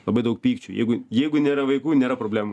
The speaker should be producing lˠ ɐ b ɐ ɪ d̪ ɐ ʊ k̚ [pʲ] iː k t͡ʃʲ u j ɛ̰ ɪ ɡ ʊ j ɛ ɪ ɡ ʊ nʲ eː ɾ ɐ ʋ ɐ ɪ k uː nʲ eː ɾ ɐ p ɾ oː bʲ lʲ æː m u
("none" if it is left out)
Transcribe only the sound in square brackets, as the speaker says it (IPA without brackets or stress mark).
pʲ